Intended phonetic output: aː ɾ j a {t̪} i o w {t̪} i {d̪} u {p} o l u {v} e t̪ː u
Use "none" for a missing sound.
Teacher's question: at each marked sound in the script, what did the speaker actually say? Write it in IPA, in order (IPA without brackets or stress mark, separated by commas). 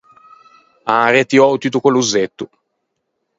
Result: t̪, t̪, t̪, k, z